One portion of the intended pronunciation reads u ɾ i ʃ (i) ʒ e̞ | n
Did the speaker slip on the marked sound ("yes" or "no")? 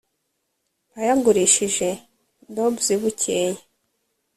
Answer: no